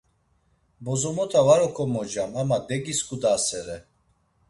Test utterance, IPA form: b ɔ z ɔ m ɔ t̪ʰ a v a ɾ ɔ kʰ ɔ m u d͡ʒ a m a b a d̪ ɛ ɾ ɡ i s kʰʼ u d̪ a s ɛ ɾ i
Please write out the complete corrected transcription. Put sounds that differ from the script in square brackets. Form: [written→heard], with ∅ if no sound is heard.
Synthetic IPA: b ɔ z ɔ m ɔ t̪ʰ a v a ɾ ɔ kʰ ɔ m [u→ɔ] d͡ʒ a m a [b→m] a d̪ ɛ [ɾ→∅] ɡ i s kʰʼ u d̪ a s ɛ ɾ [i→ɛ]